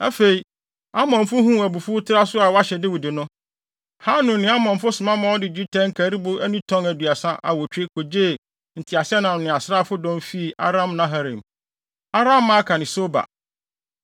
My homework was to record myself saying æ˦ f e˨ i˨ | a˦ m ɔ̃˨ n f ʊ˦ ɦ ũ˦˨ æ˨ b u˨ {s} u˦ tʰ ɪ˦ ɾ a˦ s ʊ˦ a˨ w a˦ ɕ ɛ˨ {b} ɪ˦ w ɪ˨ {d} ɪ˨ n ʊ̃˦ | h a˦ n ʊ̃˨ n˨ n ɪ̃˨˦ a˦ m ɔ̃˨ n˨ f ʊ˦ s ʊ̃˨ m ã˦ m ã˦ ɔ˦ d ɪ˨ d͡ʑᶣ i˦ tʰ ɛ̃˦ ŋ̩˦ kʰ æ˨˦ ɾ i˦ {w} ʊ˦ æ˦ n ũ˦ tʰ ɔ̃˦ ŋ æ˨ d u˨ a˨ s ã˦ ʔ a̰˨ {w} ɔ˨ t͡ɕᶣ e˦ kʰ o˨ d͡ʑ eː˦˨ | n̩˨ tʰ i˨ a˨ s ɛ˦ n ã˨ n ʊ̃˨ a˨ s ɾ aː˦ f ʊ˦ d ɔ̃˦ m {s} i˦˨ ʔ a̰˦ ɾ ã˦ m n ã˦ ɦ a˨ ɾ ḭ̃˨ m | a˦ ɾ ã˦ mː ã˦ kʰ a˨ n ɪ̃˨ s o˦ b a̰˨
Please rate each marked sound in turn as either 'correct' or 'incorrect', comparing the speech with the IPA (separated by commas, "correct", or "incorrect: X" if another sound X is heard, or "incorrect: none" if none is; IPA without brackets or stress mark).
incorrect: f, incorrect: d, correct, incorrect: b, correct, incorrect: f